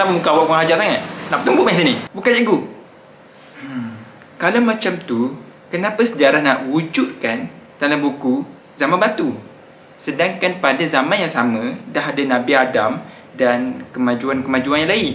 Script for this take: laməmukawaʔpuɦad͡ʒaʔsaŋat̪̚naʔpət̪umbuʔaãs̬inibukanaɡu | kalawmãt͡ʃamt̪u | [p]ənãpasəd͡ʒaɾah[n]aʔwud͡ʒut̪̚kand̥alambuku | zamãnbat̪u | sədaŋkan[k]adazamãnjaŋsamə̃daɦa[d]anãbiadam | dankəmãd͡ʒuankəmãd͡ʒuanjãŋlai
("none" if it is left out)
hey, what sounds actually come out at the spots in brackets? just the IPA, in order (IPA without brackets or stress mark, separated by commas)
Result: k, n, p, d